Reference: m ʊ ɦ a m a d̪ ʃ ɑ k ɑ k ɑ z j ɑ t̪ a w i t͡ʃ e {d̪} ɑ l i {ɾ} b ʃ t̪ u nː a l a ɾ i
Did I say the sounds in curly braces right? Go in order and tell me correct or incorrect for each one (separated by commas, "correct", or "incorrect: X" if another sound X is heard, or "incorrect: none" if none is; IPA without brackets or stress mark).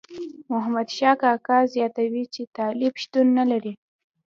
incorrect: t̪, incorrect: none